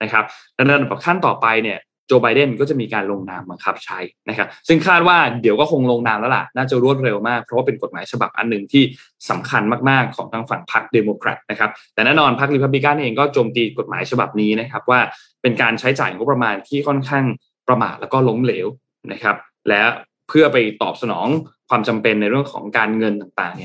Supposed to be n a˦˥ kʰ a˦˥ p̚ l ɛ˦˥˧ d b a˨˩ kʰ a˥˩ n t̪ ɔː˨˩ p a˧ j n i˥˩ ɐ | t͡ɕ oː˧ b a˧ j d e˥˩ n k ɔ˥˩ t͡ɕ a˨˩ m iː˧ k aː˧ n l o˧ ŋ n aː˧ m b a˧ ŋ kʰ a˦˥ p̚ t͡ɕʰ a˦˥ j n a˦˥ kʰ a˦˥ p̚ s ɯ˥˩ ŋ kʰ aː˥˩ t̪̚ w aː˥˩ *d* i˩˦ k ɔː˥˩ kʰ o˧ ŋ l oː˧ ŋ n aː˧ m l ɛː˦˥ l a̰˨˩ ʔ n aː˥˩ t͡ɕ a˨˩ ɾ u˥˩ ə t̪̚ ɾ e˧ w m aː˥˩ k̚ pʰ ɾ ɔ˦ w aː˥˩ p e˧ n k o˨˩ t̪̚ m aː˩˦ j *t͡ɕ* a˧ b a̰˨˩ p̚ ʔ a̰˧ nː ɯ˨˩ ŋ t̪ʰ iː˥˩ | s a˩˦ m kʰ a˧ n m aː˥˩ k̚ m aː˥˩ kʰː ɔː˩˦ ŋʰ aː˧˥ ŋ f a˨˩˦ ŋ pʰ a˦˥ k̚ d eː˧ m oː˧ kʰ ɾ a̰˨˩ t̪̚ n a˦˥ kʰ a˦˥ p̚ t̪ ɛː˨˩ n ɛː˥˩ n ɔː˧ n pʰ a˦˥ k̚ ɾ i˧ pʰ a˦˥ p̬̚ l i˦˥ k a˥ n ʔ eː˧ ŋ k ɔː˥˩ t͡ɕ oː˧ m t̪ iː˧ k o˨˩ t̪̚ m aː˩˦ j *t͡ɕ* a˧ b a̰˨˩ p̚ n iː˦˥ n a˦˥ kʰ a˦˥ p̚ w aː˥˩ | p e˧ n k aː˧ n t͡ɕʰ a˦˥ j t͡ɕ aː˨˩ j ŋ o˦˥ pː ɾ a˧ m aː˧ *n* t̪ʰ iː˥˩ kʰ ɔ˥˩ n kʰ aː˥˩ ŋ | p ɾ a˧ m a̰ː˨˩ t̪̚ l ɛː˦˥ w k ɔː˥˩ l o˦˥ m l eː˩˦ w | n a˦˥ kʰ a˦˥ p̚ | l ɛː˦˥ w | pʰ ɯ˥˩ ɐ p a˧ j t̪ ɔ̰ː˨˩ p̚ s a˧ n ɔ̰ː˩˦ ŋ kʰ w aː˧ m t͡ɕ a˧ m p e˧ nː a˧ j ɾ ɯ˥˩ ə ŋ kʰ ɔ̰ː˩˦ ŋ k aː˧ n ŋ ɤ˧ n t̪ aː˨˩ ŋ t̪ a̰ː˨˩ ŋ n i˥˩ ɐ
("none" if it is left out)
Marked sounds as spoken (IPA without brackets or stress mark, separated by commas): d, t͡ɕʰ, t͡ɕʰ, n